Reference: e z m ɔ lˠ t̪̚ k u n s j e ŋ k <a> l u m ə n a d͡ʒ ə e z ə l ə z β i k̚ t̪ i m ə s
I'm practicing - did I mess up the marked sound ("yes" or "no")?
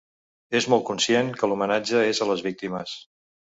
yes